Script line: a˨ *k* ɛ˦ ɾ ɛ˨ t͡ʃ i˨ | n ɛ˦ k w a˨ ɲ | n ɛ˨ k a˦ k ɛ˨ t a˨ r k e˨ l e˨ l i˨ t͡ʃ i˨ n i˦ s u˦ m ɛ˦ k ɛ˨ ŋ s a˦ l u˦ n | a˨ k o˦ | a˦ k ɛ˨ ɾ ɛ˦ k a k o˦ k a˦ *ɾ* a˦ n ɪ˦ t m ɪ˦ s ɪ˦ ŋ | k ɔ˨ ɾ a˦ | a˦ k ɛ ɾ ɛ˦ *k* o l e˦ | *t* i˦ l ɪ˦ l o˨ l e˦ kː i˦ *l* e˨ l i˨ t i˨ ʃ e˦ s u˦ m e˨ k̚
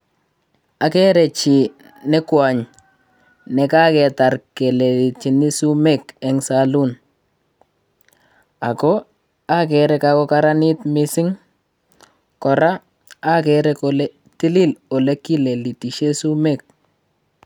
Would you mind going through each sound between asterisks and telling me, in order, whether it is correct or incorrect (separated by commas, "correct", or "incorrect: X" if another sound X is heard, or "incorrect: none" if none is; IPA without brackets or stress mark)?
correct, correct, correct, correct, correct